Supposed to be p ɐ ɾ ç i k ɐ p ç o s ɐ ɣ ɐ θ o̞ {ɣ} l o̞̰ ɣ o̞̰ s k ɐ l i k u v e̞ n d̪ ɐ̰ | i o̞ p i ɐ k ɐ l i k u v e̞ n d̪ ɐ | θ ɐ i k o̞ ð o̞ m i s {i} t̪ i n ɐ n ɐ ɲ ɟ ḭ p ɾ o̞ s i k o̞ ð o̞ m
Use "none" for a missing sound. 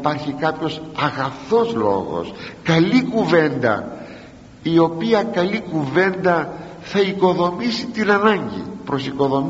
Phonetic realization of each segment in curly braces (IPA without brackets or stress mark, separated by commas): z, i